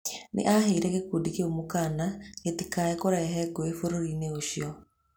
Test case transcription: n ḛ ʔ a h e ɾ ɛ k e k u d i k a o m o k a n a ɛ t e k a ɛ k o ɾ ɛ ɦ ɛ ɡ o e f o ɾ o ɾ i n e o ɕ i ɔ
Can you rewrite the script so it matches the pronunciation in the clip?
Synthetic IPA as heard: n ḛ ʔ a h e ɾ ɛ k e k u d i k e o m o k a n a e t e k a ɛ k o ɾ ɛ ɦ ɛ ɡ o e f o ɾ o ɾ i n e o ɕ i ɔ